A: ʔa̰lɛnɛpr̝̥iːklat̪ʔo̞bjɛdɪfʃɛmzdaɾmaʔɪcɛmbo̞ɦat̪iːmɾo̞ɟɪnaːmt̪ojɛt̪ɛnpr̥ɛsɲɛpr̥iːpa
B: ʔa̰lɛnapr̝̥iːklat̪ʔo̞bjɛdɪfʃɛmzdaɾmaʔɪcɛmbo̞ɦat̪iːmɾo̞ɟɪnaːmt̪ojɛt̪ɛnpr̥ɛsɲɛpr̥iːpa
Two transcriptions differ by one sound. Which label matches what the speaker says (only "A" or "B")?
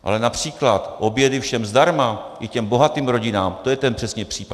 B